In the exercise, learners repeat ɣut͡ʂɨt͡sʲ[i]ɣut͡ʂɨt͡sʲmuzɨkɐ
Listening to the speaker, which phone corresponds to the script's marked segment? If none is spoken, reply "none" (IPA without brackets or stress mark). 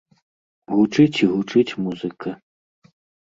i